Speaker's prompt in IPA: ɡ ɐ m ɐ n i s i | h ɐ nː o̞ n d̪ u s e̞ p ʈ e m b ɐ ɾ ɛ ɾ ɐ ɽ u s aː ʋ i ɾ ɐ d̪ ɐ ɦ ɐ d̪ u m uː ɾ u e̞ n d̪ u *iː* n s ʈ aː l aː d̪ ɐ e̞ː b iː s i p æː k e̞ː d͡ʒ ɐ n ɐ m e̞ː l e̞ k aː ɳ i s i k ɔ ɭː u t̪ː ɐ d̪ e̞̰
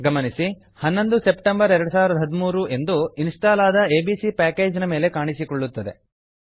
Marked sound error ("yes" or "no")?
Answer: yes